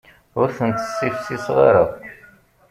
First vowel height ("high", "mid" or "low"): high